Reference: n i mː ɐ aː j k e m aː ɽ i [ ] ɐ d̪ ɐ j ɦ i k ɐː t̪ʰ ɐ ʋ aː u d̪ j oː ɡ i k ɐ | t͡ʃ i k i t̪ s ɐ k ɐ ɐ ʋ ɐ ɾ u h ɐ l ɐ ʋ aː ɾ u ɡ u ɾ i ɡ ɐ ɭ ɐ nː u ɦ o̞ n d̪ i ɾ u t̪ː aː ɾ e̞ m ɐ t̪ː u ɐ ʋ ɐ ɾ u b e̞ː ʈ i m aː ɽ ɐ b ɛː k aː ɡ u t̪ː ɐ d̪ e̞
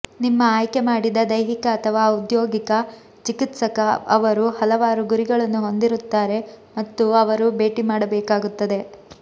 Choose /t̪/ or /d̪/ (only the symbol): d̪